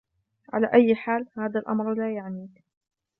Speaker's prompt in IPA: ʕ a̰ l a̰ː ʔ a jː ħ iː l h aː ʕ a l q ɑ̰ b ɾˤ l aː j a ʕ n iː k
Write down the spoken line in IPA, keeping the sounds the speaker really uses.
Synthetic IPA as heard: ʕ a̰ l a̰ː ʔ a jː ħ aː l h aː ð a l ʔ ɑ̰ m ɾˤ l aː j a ʕ n iː k